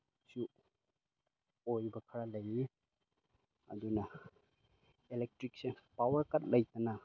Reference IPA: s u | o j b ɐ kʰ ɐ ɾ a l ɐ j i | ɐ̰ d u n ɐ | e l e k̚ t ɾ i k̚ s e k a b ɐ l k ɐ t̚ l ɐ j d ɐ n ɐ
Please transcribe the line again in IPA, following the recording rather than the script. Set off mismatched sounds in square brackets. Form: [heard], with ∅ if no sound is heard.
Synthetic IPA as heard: s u | o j b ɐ kʰ ɐ ɾ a l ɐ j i | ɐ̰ d u n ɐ | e l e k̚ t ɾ i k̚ s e [p] a [w] ɐ [ɾ] k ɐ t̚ l ɐ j [t] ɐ n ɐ